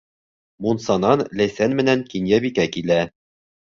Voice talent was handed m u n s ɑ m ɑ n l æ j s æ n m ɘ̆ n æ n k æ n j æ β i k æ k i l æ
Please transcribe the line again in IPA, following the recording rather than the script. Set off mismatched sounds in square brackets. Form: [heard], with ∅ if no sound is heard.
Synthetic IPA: m u n s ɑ [n] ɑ n l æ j s æ n m ɘ̆ n æ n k [i] n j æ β i k æ k i l æ